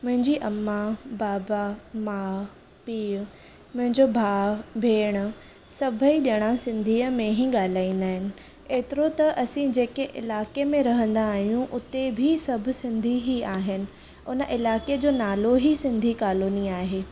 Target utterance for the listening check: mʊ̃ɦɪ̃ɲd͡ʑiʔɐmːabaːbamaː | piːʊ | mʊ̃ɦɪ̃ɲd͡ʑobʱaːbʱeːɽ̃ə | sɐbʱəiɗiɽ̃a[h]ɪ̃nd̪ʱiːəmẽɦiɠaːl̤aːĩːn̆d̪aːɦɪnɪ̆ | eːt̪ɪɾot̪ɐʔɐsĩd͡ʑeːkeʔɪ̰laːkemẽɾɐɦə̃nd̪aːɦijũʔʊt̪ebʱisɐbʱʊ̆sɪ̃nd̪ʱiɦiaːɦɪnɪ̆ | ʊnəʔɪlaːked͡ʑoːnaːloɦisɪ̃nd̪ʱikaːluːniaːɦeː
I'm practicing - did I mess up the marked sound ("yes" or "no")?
yes